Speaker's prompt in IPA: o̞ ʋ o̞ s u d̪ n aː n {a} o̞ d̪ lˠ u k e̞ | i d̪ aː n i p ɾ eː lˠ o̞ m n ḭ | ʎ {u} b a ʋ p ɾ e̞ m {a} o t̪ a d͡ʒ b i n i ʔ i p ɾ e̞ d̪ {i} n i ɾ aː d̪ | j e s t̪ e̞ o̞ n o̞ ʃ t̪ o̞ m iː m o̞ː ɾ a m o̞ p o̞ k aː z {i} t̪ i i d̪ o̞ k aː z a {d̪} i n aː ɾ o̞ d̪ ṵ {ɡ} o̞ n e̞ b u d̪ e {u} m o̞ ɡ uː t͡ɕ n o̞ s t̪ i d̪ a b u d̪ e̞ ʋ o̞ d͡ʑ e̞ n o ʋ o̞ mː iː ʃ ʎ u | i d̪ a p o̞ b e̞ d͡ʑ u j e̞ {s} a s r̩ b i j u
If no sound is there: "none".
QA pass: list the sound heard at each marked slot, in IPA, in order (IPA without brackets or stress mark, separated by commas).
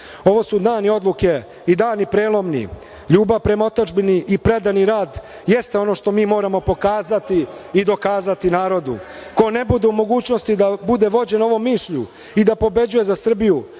i, uː, a, a, a, t̪, k, u, z